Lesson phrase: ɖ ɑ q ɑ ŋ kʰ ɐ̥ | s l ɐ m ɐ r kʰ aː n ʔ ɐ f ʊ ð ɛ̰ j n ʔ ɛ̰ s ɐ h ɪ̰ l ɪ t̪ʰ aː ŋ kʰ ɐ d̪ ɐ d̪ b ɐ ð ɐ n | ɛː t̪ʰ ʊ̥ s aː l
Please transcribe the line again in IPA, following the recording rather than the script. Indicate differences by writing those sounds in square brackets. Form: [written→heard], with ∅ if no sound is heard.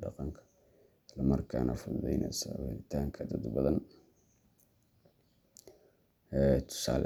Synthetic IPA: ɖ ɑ q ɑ ŋ kʰ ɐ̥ | s l ɐ m ɐ r kʰ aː n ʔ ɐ f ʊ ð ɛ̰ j n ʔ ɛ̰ s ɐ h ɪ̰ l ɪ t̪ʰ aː ŋ kʰ ɐ d̪ ɐ d̪ b ɐ ð ɐ n | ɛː t̪ʰ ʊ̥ s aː l